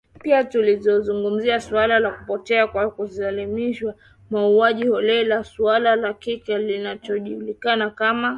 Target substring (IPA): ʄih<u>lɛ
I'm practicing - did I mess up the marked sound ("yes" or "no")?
yes